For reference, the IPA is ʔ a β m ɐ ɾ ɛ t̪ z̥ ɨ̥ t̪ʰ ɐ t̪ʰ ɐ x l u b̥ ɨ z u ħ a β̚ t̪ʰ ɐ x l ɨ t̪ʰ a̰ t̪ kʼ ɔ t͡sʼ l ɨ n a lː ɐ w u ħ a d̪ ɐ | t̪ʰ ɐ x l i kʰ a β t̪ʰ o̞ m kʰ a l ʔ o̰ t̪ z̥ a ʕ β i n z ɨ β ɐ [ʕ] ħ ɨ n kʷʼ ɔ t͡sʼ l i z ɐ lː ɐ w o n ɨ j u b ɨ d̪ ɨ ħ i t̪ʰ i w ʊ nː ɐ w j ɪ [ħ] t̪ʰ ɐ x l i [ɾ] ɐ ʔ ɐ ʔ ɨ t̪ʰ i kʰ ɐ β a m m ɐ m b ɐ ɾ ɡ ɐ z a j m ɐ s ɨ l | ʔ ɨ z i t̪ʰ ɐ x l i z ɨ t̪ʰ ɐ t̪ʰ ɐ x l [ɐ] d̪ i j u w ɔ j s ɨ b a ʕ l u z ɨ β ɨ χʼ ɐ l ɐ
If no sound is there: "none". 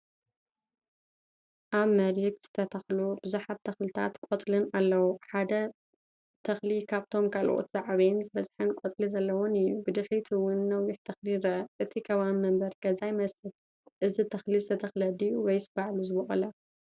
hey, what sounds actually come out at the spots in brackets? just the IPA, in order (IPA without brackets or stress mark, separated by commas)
z, ħ, ɾ, ɐ